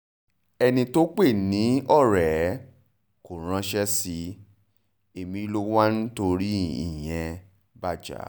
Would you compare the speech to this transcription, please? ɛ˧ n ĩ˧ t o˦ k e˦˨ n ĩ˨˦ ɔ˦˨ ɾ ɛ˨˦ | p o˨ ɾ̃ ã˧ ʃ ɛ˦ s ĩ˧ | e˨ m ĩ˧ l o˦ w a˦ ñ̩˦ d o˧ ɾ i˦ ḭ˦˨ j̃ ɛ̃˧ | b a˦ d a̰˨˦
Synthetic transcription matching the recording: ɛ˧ n ĩ˧ t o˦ k͡p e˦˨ n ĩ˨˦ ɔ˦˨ ɾ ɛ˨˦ | k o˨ ɾ̃ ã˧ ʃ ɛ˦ s i˧ | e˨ m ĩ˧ l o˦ w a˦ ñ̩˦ t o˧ ɾ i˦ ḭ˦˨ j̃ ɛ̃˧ | b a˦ d͡ʒ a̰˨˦